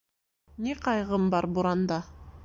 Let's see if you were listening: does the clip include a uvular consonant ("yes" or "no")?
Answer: yes